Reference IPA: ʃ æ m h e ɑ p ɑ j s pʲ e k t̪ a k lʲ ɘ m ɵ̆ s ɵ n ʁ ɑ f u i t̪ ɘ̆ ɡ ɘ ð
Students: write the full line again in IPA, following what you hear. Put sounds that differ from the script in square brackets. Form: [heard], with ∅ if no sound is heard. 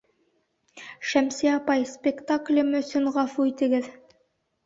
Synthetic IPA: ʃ æ m [s] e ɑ p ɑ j s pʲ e k t̪ a k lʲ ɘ m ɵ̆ s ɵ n ʁ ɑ f u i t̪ ɘ̆ ɡ ɘ ð